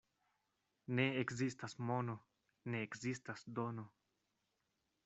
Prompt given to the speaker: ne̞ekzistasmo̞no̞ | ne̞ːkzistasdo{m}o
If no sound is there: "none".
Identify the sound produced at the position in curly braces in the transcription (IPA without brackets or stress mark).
n